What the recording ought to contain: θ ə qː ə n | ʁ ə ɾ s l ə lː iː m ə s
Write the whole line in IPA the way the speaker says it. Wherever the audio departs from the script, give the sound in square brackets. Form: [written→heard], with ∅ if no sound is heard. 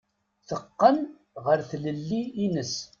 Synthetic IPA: θ ə qː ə n | ʁ ə ɾ [s→θ] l ə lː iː [m→n] ə s